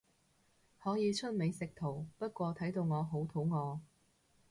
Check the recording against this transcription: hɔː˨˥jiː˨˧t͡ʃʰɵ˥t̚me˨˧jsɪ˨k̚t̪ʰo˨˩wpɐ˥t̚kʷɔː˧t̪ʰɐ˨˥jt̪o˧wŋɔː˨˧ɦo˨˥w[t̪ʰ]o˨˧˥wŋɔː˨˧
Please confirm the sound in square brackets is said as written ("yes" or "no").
yes